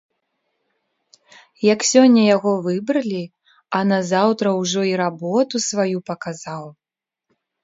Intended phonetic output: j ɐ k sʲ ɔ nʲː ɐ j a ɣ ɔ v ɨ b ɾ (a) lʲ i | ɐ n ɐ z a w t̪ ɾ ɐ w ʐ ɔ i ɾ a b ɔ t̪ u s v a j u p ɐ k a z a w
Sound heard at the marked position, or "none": ɐ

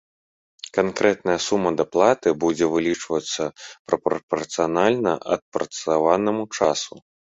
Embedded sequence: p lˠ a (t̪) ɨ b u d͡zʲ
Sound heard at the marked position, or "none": t̪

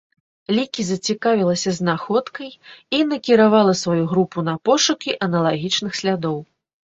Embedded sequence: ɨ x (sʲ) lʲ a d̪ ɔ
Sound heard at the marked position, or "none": sʲ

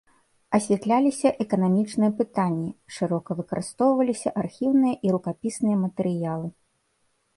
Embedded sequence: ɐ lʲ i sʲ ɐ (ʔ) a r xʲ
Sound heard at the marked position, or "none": ʔ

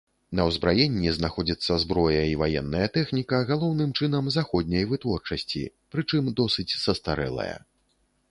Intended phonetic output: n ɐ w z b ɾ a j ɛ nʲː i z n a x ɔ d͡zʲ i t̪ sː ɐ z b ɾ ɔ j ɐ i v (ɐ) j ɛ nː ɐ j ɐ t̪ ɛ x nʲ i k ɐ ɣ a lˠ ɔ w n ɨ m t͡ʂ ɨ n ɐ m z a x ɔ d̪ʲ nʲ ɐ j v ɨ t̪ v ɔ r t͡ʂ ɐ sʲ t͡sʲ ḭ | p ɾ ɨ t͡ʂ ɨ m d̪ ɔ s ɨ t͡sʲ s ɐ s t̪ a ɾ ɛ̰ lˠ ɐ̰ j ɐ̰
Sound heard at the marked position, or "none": a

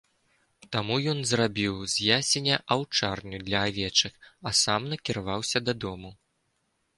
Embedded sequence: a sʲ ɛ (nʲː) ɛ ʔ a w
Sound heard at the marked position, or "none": nʲ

